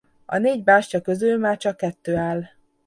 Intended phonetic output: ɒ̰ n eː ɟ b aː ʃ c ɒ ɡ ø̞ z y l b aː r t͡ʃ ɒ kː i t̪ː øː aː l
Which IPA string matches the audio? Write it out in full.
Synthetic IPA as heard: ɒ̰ n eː ɟ b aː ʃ c ɒ k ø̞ z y l m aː r t͡ʃ ɒ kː ɛ t̪ː øː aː l

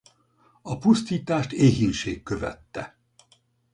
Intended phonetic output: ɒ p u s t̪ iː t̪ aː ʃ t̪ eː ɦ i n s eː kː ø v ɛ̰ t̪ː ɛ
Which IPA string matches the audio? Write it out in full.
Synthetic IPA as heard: ɒ p u s t̪ iː t̪ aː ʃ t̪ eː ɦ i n ʃ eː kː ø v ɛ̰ t̪ː ɛ

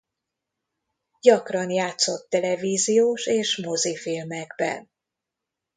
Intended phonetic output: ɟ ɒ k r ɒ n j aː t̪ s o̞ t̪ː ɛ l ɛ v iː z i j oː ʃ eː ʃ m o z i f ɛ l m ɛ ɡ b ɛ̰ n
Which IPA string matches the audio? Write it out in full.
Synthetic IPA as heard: ɟ ɒ k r ɒ n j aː t̪ s o̞ t̪ː ɛ l ɛ v iː z i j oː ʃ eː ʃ m o z i f i l m ɛ ɡ b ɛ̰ n

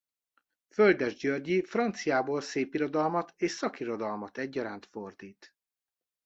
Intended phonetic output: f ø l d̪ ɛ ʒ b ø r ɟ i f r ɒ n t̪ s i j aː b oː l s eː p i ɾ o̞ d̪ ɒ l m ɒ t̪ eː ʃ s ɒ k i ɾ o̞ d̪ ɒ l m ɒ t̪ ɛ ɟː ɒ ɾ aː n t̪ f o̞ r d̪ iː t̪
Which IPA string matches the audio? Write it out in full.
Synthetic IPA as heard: f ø l d̪ ɛ ʒ ɟ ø r ɟ i f r ɒ n t̪ s i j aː b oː l s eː p i ɾ o̞ d̪ ɒ l m ɒ t̪ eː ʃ s ɒ k i ɾ o̞ d̪ ɒ l m ɒ t̪ ɛ ɟː ɒ ɾ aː n t̪ f o̞ r d̪ iː t̪

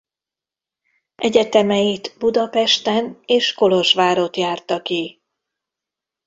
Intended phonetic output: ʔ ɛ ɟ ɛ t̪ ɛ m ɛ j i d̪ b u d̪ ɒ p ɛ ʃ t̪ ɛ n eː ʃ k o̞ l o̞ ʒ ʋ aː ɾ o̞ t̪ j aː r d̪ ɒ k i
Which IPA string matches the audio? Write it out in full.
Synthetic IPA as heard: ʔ ɛ ɟ ɛ t̪ ɛ m ɛ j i t̪ b u d̪ ɒ p ɛ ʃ t̪ ɛ n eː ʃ k o̞ l o̞ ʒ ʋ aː ɾ o̞ t̪ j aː r t̪ ɒ k i

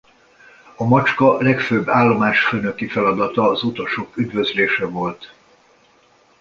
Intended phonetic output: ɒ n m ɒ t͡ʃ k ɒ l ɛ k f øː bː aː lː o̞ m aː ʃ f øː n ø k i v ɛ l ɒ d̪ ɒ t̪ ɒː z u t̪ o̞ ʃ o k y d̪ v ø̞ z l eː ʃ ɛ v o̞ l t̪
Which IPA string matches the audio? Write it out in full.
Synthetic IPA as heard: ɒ m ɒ t͡ʃ k ɒ l ɛ k f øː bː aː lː o̞ m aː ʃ f øː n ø k i f ɛ l ɒ d̪ ɒ t̪ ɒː z u t̪ o̞ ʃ o k y d̪ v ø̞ z l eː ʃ ɛ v o̞ l t̪

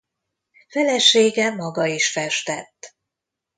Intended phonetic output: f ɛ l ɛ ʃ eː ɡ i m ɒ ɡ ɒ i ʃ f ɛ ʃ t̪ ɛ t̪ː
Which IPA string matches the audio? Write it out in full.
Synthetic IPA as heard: f ɛ l ɛ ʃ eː ɡ ɛ m ɒ ɡ ɒ i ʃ f ɛ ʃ t̪ ɛ t̪ː

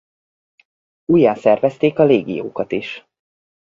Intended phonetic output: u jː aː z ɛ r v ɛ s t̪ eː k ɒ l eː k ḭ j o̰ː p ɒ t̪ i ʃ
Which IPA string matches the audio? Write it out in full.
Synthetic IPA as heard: u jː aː s ɛ r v ɛ s t̪ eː k ɒ l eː ɡ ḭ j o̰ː k ɒ t̪ i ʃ

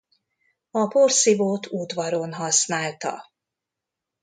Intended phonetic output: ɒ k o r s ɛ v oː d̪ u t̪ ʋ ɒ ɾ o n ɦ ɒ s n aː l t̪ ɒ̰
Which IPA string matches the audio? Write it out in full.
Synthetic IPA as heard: ɒ p o r s i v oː t̪ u d̪ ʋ ɒ ɾ o n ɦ ɒ s n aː l t̪ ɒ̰

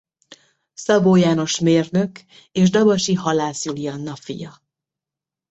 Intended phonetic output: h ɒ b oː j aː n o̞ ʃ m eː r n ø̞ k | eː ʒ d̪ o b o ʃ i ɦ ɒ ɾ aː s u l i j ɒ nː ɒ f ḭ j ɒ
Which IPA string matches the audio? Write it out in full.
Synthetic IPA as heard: s ɒ b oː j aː n o̞ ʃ m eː r n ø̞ k | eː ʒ d̪ ɒ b ɒ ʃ i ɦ ɒ l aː s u l i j ɒ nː ɒ f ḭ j ɒ

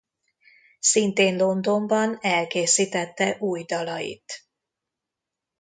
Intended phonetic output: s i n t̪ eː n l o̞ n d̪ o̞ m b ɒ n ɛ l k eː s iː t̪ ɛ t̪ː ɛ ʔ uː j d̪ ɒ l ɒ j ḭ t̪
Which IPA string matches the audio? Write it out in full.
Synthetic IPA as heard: s i n t̪ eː n l o̞ n d̪ o̞ m b ɒ n ɛ l k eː s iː t̪ ɛ t̪ː ɛ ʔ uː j d̪ ɒ l ɒ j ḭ t̪

